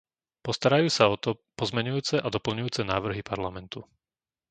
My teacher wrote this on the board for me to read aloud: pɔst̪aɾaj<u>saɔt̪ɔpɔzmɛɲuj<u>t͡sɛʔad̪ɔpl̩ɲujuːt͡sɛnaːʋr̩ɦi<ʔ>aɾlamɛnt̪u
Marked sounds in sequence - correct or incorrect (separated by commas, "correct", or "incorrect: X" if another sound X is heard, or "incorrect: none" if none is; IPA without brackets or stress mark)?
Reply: incorrect: uː, incorrect: uː, incorrect: p